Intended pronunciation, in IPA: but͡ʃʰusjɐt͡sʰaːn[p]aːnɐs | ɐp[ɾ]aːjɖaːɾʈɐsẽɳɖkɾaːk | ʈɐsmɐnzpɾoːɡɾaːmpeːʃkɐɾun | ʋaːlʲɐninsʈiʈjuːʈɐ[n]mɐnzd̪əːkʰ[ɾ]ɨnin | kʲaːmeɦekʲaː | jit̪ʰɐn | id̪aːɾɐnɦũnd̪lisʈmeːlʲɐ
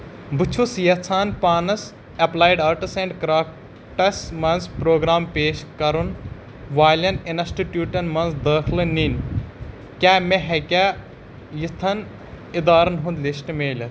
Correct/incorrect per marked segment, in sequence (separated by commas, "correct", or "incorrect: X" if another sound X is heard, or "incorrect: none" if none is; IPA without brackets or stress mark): correct, incorrect: l, correct, incorrect: l